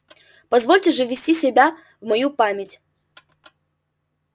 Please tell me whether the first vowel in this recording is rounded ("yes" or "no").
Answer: no